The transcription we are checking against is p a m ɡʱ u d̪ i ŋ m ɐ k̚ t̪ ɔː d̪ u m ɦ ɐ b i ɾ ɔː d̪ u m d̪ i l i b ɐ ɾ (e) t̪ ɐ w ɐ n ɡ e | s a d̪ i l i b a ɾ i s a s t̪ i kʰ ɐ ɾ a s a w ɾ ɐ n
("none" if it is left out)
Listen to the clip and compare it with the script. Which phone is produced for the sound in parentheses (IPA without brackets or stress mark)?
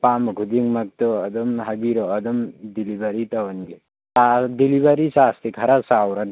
i